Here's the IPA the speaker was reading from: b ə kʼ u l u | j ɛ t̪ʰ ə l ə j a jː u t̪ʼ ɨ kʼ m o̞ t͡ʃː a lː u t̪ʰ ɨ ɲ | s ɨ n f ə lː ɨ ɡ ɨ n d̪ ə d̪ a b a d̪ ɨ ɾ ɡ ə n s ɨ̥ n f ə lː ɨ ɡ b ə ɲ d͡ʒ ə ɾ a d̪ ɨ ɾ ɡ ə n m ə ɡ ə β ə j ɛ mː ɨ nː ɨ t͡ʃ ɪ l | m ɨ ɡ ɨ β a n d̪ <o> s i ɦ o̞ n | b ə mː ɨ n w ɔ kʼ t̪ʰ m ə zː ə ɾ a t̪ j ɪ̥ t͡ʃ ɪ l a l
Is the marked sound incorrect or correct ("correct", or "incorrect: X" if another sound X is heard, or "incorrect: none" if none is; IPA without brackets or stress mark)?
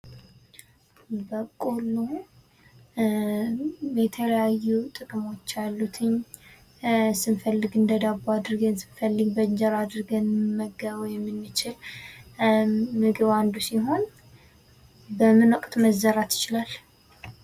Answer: incorrect: u